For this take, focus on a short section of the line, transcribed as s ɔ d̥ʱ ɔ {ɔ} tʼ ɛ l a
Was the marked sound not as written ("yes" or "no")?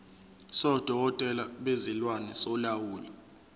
no